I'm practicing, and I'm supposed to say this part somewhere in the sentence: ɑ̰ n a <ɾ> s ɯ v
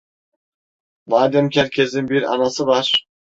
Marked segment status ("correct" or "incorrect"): incorrect